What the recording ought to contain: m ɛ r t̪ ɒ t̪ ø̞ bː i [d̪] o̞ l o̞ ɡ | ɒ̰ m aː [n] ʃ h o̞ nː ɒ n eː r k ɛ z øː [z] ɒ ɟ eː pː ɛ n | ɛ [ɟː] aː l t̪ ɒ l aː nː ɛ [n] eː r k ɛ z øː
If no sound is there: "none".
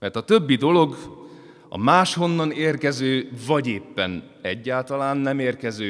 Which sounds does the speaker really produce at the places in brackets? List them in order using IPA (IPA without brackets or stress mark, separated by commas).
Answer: d̪, none, v, ɟː, m